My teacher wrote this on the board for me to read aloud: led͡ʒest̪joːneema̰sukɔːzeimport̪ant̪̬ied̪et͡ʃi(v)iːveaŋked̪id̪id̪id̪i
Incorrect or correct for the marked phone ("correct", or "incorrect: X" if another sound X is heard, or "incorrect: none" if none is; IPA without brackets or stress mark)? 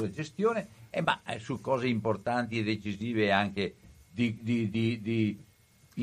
incorrect: z